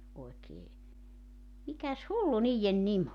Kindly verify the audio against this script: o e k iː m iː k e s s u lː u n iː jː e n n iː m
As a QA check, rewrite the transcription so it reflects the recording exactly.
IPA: o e k eː m i k æ s h u lː u n iː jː e n n i m